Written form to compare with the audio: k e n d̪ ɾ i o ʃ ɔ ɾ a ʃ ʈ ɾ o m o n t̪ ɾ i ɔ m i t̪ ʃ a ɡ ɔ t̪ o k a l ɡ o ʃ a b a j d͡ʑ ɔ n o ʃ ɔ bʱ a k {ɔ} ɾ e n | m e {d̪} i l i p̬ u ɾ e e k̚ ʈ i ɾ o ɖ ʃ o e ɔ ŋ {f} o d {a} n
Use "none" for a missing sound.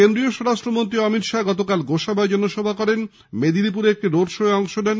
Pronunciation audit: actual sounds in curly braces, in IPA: ɔ, d̪, ʃ, ɛ

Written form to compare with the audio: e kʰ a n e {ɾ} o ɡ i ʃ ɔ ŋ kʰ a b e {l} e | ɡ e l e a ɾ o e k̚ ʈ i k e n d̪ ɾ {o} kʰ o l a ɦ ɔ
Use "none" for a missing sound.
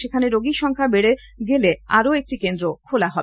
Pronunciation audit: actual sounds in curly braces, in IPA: ɾ, ɽ, o

